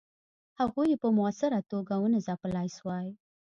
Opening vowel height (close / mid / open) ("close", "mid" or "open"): open